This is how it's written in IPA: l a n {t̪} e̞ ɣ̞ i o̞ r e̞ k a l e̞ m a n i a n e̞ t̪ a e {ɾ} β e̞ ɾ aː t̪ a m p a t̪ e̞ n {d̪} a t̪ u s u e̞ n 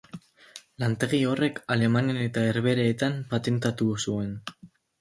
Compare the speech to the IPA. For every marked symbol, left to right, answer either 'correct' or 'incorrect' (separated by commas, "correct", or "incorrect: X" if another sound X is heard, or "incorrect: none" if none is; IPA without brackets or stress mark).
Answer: correct, correct, incorrect: t̪